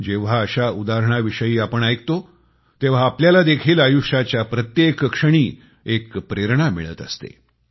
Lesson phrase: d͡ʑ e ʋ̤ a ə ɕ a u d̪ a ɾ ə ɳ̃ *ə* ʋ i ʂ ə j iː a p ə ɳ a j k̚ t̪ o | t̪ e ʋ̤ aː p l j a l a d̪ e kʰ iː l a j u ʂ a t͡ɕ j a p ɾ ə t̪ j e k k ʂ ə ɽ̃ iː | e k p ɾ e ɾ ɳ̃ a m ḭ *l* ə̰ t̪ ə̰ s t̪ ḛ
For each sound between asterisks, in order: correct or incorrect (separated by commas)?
incorrect, incorrect